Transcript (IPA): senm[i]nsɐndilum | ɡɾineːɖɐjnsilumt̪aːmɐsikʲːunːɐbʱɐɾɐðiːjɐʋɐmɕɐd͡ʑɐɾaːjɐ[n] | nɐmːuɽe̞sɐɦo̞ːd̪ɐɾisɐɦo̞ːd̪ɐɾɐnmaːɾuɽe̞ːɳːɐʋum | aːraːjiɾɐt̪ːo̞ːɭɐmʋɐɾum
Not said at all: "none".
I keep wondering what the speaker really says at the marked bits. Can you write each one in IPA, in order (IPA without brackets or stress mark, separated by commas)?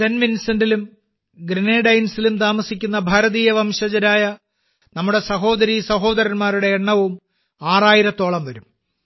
i, none